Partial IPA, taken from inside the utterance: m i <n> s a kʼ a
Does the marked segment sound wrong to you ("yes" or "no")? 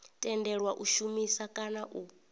yes